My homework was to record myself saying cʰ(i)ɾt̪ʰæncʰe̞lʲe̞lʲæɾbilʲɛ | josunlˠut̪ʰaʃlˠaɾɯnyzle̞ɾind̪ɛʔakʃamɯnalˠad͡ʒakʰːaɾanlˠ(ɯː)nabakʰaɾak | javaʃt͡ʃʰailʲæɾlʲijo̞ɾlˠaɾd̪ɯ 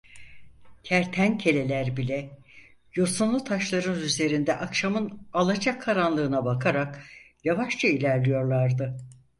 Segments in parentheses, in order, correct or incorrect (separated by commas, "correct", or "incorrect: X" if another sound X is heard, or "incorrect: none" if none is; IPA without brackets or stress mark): incorrect: æ, correct